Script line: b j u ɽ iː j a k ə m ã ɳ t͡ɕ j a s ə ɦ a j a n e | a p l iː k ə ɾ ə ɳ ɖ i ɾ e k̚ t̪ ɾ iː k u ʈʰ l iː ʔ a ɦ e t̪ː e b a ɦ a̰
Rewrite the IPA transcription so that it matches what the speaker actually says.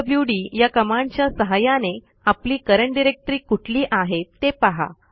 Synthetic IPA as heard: b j u ɽ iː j a k ə m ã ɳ t͡ɕ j a s ə ɦ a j a n e | a p l iː k ə ɾ ə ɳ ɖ i ɾ e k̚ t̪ ɾ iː k u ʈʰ l iː ʔ a ɦ e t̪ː e p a ɦ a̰